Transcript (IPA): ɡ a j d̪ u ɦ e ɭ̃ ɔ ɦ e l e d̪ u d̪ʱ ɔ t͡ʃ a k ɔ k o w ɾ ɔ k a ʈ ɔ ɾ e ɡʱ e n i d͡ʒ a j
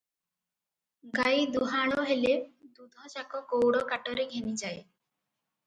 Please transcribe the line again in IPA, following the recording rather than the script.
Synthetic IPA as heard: ɡ a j d̪ u ɦ a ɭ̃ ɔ ɦ e l e d̪ u d̪ʱ ɔ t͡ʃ a k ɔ k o w ɽ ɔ k a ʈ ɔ ɾ e ɡʱ e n i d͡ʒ a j